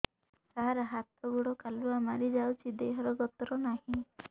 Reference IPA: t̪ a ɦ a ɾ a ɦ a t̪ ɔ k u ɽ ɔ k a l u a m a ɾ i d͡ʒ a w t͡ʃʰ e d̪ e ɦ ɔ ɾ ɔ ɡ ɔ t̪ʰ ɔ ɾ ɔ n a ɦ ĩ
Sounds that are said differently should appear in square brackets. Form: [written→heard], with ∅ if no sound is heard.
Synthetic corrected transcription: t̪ a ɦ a ɾ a ɦ a t̪ ɔ [k→ɡ] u ɽ ɔ k a l u a m a ɾ i d͡ʒ a w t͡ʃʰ [e→i] d̪ e ɦ ɔ ɾ ɔ ɡ ɔ [t̪ʰ→t̪] ɔ ɾ ɔ n a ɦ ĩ